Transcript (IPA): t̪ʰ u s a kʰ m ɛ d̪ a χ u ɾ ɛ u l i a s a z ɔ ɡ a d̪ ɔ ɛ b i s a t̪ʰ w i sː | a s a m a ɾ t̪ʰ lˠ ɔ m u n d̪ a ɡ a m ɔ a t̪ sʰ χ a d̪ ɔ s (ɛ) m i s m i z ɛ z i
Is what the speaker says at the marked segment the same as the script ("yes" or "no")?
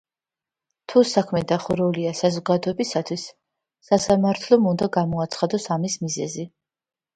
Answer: no